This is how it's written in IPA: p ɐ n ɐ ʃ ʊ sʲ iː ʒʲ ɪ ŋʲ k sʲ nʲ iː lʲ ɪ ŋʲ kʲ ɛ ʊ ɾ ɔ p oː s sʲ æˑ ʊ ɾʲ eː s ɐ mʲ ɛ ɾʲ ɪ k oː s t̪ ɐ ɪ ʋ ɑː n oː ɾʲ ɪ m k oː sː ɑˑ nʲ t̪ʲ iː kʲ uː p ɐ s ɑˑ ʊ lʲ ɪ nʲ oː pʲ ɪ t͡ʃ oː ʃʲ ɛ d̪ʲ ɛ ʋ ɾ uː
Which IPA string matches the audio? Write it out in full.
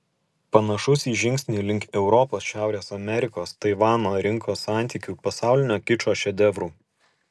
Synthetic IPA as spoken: p ɐ n ɐ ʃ ʊ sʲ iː ʒʲ ɪ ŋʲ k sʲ nʲ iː lʲ ɪ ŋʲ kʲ ɛ ʊ ɾ ɔ p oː s ʃʲ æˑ ʊ ɾʲ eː s ɐ mʲ ɛ ɾʲ ɪ k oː s t̪ ɐ ɪ ʋ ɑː n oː ɾʲ ɪ ŋ k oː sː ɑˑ nʲ t̪ʲ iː kʲ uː p ɐ s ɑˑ ʊ lʲ ɪ nʲ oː kʲ ɪ t͡ʃ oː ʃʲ ɛ d̪ʲ ɛ ʋ ɾ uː